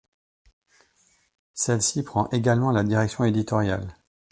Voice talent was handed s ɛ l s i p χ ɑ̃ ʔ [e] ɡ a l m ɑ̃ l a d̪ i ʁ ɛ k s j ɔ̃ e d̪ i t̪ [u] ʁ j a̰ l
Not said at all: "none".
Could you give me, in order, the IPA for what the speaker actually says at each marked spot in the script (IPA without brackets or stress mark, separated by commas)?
e, ɔ